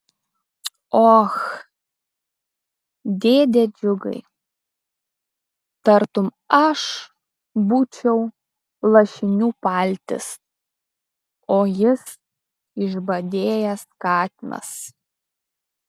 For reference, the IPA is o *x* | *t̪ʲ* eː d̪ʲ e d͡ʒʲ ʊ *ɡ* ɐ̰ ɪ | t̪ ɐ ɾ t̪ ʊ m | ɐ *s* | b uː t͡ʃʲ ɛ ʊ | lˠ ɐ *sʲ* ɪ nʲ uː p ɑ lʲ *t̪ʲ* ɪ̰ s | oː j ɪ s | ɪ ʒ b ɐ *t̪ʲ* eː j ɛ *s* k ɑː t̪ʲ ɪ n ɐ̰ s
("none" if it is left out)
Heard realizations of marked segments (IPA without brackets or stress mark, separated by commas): x, d̪ʲ, ɡ, ʃ, ʃʲ, t̪ʲ, d̪ʲ, s